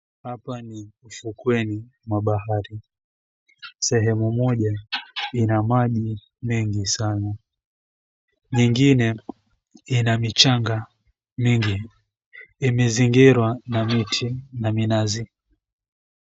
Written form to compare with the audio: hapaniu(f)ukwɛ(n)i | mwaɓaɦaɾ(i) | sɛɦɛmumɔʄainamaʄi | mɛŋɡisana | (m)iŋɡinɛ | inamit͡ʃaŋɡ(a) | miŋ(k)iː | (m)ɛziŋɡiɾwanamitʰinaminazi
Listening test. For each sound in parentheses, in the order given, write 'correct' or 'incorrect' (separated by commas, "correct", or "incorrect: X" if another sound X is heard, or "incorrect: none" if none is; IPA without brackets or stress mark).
correct, correct, correct, incorrect: ɲ, correct, incorrect: ɡ, correct